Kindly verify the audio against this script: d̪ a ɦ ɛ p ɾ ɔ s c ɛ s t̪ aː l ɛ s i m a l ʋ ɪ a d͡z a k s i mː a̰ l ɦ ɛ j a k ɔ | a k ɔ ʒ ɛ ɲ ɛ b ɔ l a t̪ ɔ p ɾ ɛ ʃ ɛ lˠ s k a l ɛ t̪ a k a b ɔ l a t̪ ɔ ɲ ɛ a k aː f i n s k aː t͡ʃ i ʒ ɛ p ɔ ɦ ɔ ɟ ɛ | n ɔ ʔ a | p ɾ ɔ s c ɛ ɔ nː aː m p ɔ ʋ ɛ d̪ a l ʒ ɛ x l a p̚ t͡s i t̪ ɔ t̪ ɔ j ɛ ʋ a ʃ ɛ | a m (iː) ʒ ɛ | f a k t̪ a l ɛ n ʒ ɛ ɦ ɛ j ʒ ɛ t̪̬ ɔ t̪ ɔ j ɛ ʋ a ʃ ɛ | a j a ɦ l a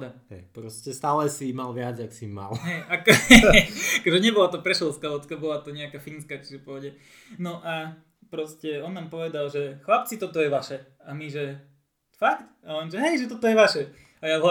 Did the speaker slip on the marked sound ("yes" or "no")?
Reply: yes